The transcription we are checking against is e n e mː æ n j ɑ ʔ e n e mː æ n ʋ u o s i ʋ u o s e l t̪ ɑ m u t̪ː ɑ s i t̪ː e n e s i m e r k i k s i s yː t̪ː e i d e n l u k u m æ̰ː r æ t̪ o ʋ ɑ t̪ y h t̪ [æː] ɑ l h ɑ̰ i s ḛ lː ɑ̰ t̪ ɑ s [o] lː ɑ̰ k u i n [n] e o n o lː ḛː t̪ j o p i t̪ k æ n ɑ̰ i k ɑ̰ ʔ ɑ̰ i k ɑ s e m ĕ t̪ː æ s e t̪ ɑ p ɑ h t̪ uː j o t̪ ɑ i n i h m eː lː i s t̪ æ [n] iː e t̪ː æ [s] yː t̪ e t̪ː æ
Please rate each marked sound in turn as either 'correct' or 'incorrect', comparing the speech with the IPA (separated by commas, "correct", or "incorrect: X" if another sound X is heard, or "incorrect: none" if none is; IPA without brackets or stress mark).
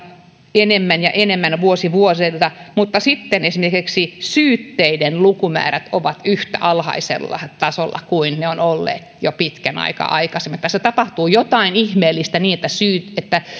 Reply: incorrect: æ, correct, correct, correct, correct